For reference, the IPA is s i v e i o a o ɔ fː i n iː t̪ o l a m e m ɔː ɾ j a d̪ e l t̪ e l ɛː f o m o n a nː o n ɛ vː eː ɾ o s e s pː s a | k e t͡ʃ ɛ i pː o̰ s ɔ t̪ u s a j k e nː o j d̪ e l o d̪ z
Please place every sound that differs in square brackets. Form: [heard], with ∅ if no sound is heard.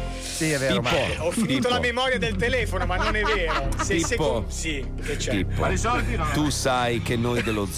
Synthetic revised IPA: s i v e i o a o ɔ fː i n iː t̪ o l a m e m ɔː ɾ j a d̪ e l t̪ e l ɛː f o [n] o [m] a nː o n ɛ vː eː ɾ o s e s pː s [i] | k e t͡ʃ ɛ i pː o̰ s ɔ t̪ u s a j k e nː o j d̪ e l o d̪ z